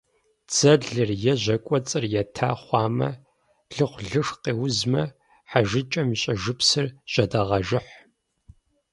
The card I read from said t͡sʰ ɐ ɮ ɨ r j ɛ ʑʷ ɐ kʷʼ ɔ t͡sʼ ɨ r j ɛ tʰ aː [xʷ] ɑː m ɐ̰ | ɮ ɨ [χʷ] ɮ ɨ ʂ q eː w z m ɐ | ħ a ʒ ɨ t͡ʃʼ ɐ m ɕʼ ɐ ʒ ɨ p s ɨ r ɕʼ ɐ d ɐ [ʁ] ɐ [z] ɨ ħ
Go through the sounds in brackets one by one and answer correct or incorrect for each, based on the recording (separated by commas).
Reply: incorrect, correct, correct, incorrect